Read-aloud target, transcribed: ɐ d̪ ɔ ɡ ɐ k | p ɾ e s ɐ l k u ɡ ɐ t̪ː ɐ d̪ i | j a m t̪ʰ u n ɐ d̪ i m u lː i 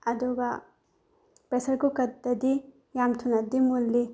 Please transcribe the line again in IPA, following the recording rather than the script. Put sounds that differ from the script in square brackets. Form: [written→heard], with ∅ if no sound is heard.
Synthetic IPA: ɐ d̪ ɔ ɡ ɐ [k→∅] | p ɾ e s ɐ [l→ɾ] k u [ɡ→k] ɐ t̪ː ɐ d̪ i | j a m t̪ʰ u n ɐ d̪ i m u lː i